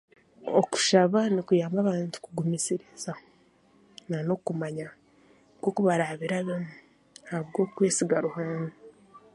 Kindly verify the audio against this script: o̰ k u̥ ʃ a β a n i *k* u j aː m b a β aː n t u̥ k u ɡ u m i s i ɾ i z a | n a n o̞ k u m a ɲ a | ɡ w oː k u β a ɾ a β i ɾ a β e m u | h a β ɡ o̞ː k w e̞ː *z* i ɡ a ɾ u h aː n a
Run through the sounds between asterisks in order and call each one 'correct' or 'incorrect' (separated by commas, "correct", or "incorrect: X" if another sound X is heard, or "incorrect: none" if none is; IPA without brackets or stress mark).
correct, incorrect: s